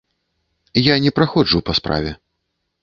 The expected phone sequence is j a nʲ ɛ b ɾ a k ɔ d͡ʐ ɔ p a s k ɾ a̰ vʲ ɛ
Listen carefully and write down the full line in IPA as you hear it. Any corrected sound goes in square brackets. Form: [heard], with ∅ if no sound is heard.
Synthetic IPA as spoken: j a nʲ ɛ [p] ɾ a [x] ɔ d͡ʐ [u] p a s [p] ɾ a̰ vʲ ɛ